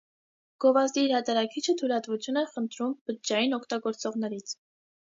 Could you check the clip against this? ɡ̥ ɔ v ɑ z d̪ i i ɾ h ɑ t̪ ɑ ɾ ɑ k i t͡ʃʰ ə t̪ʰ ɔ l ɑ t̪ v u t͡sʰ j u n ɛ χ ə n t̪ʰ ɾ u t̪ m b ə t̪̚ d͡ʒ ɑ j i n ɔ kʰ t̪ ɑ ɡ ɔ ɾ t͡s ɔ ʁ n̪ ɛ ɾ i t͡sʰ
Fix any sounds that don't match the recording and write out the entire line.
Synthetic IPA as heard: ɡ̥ ɔ v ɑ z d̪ i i ɾ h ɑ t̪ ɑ ɾ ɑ kʰ i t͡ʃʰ ə t̪ʰ u l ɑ t̪ v u t͡sʰ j u n ɛ χ ə n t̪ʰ ɾ u m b ə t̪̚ d͡ʒ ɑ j i n ɔ kʰ t̪ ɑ ɡ ɔ ɾ t͡s ɔ ʁ n̪ ɛ ɾ i t͡sʰ